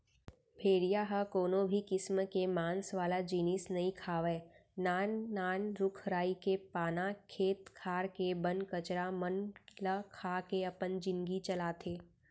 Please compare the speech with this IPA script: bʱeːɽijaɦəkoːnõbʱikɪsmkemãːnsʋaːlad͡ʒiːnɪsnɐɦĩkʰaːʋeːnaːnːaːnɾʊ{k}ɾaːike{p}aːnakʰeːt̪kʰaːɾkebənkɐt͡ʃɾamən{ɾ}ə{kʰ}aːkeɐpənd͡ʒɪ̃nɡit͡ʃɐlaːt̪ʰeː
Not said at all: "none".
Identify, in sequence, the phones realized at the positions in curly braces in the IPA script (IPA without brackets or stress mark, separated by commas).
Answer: kʰ, p, l, kʰ